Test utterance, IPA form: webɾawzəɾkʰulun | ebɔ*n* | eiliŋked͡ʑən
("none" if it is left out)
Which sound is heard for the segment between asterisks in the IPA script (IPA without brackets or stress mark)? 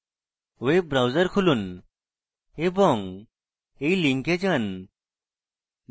ŋ